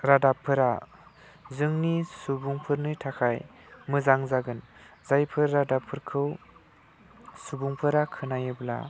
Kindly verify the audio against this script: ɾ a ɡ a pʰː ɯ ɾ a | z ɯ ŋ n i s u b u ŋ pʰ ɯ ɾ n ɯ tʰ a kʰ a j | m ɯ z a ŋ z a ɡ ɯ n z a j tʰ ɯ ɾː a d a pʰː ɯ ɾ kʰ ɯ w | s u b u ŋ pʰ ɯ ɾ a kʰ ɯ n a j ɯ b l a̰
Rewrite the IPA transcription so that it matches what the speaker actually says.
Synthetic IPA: ɾ a d a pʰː ɯ ɾ a | z ɯ ŋ n i s u b u ŋ pʰ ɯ ɾ n ɯ tʰ a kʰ a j | m ɯ z a ŋ z a ɡ ɯ n z a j pʰ ɯ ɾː a d a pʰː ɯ ɾ kʰ ɯ w | s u b u ŋ pʰ ɯ ɾ a kʰ ɯ n a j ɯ b l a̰